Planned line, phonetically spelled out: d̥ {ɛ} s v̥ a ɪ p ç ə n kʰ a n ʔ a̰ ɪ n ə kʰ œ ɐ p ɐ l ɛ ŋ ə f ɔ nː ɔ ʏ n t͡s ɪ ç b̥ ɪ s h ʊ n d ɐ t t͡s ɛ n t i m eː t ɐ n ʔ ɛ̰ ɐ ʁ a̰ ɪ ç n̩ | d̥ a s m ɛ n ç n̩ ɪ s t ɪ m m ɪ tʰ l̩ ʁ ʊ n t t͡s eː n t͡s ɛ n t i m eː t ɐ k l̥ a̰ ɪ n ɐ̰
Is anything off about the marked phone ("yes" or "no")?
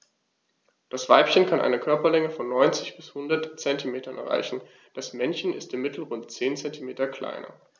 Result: yes